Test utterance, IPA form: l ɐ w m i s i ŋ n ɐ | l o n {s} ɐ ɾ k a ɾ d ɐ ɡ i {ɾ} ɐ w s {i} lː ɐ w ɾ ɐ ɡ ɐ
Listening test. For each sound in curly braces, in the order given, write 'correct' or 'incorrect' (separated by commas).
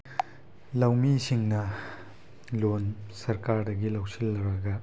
correct, incorrect, correct